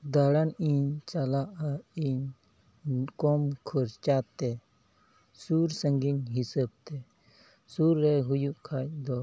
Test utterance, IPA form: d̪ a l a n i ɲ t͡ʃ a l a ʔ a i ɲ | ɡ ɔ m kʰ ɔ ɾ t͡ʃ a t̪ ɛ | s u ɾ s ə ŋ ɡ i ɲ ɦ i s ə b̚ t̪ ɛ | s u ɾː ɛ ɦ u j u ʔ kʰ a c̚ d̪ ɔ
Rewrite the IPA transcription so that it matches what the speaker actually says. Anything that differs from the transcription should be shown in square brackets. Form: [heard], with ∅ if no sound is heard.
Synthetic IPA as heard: d̪ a [ɽ] a n i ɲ t͡ʃ a l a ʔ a i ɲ | [k] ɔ m kʰ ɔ ɾ t͡ʃ a t̪ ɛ | s u ɾ s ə ŋ ɡ i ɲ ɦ i s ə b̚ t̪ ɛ | s u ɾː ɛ ɦ u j u ʔ kʰ a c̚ d̪ ɔ